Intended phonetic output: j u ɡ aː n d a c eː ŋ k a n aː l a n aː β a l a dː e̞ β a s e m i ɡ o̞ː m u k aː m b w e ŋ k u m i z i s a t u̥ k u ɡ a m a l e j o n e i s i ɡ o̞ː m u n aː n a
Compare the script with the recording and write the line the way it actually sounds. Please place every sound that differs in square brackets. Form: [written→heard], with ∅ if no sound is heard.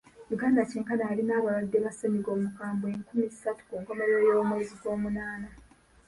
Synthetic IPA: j u ɡ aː n d a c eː ŋ k a n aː l [a→i] n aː β a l a dː e̞ β a s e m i ɡ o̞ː m u k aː m b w e ŋ k u m i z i s a t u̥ k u ɡ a m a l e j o [n→m] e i [s→z] i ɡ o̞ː m u n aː n a